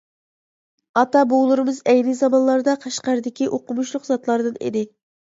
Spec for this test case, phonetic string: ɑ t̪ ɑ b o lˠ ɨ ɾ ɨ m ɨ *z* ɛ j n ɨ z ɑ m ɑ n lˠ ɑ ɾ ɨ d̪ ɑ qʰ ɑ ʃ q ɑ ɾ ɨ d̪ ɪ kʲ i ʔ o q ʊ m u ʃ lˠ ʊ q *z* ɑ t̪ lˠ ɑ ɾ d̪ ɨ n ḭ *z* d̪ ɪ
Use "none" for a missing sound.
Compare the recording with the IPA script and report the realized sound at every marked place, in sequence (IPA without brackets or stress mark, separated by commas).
z, z, none